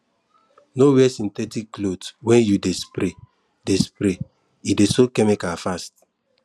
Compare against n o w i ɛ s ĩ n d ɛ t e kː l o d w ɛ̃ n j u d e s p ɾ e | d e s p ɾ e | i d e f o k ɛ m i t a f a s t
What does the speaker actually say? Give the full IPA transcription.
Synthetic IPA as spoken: n o w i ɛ s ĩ n t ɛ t i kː l o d w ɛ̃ n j u d e s p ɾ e | d e s p ɾ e | i d e s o k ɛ m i k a f a s t